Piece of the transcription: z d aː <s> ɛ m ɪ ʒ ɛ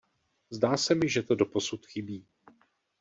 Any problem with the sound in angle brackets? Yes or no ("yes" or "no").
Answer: no